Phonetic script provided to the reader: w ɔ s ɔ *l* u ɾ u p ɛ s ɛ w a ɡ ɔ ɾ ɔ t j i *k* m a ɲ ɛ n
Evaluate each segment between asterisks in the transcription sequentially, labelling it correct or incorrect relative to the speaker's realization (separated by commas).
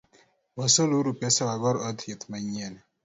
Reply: correct, incorrect